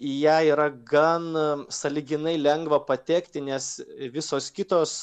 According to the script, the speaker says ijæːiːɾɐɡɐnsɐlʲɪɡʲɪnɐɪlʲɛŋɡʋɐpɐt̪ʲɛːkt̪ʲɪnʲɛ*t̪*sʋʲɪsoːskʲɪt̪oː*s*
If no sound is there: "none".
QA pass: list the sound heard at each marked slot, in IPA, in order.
none, s

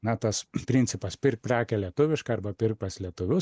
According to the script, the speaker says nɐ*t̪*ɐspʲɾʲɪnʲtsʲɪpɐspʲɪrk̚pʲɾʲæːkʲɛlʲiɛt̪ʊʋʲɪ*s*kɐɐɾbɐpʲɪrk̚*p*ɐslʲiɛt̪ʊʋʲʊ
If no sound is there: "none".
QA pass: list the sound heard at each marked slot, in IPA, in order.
t̪, ʃ, p

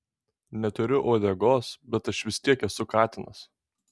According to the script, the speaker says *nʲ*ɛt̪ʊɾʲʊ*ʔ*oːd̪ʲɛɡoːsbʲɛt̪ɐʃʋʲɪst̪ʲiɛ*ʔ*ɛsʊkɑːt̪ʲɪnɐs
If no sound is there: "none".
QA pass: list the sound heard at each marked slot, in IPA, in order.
nʲ, ʔ, k

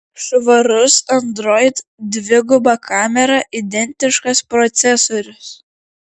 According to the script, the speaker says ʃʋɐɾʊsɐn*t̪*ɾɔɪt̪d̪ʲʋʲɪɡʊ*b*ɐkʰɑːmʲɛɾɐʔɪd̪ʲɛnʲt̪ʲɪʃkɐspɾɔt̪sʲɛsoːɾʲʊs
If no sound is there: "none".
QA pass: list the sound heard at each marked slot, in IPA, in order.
d̪, b

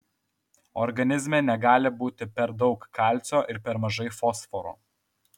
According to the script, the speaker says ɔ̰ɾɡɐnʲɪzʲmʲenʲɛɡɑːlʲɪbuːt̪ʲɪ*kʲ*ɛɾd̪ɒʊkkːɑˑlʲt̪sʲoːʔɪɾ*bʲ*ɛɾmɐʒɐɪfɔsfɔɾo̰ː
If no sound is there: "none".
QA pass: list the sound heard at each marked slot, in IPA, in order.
pʲ, pʲ

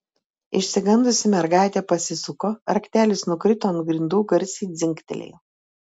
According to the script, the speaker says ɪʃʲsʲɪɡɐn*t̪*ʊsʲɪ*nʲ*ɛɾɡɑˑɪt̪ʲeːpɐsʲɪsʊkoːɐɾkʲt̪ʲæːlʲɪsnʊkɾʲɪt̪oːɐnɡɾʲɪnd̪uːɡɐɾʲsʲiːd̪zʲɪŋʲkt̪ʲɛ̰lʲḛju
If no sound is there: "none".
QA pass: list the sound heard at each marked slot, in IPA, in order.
d̪, mʲ

